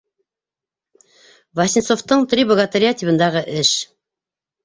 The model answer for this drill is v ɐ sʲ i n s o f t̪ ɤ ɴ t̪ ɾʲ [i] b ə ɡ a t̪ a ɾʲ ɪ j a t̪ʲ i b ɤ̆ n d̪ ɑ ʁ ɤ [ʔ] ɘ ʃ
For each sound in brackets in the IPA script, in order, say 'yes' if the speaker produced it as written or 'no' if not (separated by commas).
yes, yes